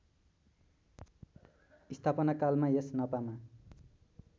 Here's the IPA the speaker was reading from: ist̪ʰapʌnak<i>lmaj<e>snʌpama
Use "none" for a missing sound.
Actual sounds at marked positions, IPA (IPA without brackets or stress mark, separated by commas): a, e